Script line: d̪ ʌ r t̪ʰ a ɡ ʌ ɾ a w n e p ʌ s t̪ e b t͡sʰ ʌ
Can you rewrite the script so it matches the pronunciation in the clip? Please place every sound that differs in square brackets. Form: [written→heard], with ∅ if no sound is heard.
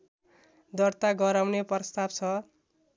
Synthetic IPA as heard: d̪ ʌ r [t̪ʰ→t̪] a ɡ ʌ ɾ a w n e p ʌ s t̪ [e→a] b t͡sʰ ʌ